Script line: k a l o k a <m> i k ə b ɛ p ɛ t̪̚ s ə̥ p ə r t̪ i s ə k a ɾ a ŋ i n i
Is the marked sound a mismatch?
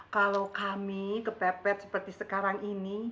no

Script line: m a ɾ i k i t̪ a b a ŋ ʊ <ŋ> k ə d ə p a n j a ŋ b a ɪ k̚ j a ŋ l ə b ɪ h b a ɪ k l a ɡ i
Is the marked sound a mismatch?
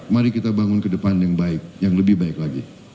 yes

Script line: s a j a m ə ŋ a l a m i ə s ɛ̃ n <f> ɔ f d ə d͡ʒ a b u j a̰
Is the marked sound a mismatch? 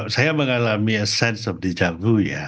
yes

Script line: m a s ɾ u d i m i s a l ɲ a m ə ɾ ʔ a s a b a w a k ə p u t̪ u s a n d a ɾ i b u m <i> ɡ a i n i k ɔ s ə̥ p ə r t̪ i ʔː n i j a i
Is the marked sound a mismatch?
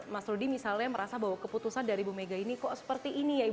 yes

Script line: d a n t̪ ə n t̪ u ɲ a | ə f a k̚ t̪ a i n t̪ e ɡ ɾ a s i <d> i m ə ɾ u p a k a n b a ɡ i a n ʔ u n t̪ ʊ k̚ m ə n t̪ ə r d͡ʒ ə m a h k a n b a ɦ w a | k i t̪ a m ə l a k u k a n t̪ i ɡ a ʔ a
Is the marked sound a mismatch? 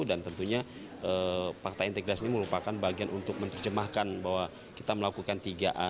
yes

